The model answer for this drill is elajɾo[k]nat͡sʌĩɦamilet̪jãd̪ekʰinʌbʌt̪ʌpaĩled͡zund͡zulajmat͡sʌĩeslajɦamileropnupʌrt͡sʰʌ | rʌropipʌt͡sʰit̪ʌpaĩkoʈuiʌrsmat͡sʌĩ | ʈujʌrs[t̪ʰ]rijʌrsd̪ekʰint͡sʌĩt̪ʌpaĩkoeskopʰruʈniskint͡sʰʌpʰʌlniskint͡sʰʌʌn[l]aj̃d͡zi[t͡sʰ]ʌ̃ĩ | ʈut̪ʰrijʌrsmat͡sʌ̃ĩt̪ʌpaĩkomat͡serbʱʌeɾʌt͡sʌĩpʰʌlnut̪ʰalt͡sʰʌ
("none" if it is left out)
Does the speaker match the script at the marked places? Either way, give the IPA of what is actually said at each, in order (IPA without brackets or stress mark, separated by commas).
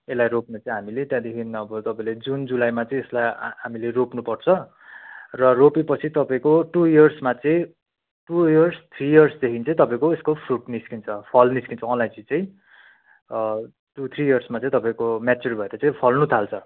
p, t̪ʰ, l, t͡s